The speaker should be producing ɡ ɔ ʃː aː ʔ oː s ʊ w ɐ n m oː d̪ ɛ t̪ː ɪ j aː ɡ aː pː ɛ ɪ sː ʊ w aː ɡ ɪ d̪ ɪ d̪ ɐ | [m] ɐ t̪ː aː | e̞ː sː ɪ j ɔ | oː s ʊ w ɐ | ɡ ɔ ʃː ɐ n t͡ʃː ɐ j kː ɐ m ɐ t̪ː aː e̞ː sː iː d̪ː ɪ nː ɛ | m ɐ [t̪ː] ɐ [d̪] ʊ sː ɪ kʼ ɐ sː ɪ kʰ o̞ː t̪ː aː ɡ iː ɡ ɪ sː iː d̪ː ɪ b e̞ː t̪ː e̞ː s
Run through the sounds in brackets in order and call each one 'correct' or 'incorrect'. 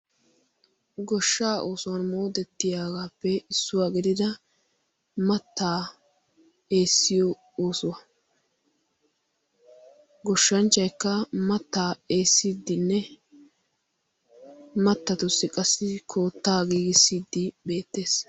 correct, correct, incorrect

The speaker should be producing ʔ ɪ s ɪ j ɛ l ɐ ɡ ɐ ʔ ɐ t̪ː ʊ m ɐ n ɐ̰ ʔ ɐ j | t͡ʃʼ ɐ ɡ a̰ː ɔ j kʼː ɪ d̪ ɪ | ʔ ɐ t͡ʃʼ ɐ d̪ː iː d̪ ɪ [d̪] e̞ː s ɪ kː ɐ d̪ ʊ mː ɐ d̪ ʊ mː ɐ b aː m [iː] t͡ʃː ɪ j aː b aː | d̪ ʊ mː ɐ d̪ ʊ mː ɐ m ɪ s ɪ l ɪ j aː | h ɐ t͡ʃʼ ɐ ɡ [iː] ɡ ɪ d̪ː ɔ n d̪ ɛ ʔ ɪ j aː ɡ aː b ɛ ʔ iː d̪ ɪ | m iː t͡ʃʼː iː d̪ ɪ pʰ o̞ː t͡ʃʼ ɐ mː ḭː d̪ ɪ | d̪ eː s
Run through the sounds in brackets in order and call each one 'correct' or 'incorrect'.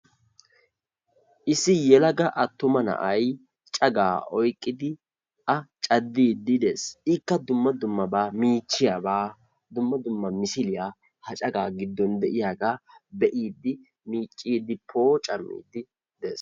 correct, correct, incorrect

